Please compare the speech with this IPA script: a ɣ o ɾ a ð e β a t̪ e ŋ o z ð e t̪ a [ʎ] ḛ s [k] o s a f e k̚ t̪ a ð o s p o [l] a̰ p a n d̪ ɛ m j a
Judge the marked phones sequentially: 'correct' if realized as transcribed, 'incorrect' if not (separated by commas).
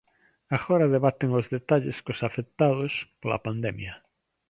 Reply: correct, correct, correct